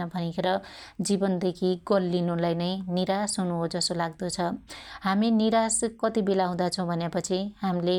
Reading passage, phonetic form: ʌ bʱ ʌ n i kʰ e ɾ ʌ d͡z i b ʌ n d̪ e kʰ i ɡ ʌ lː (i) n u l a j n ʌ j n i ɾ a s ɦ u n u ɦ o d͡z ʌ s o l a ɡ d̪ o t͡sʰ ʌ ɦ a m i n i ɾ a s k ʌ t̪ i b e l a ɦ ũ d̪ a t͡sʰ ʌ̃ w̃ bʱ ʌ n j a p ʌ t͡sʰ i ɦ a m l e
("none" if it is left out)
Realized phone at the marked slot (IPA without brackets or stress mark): i